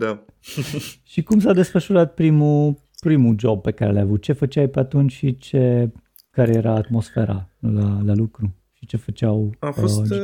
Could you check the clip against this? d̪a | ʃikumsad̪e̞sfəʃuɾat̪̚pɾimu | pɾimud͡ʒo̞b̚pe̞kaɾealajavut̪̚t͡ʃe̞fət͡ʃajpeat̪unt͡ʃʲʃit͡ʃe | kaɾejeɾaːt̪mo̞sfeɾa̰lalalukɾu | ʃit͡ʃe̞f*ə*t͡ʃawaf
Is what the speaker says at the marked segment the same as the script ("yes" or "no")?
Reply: yes